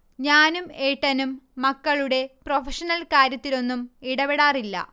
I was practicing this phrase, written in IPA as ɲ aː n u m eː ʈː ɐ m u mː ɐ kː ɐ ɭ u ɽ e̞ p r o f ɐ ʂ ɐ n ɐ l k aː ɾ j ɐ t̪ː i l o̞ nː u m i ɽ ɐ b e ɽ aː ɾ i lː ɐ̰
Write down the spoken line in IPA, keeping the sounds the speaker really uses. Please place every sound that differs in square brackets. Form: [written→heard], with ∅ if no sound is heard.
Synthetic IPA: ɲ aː n u m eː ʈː ɐ [m→n] u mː ɐ kː ɐ ɭ u ɽ e̞ p r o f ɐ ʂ ɐ n ɐ l k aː ɾ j ɐ t̪ː i l o̞ nː u m i ɽ ɐ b e ɽ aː [ɾ→r] i lː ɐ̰